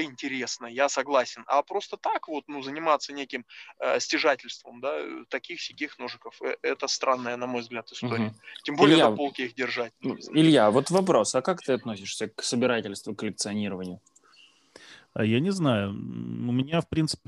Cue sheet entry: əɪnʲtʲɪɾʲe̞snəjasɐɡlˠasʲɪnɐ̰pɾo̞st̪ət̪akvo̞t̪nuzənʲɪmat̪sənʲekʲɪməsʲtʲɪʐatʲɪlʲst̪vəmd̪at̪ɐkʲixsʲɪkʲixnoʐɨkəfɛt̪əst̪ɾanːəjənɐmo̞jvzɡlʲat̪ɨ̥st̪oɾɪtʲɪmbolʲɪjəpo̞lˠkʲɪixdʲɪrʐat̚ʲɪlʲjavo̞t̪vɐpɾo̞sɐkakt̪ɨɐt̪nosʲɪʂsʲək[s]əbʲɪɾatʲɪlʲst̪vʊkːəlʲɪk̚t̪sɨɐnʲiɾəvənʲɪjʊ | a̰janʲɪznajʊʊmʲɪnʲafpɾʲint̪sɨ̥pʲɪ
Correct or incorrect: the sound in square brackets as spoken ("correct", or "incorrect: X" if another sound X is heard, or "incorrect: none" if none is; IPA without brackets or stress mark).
correct